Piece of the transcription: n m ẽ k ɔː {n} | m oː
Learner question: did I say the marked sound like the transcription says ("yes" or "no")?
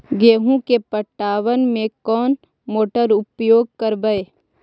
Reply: yes